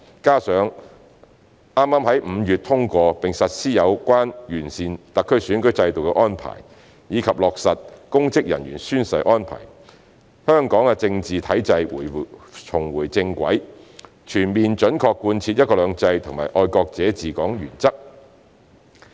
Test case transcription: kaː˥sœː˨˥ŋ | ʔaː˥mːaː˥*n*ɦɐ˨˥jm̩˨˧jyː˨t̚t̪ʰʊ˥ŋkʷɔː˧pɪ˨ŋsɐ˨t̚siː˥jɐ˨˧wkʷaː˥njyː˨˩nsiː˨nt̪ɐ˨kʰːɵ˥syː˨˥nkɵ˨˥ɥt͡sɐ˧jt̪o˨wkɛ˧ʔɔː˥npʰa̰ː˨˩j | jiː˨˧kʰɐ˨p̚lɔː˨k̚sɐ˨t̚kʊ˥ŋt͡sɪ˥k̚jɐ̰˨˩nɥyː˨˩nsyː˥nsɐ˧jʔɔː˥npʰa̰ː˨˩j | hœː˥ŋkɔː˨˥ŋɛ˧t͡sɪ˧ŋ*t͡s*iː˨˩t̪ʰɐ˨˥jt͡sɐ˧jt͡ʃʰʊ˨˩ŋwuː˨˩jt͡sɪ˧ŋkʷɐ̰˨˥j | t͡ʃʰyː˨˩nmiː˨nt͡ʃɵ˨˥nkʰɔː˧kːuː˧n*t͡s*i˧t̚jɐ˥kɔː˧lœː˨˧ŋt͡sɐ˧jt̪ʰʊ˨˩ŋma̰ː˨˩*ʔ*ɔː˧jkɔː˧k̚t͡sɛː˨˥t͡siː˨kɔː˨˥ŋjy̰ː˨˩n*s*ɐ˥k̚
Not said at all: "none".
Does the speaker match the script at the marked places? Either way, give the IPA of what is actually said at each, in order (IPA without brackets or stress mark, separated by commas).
m, t͡s, t͡sʰ, ʔ, t͡s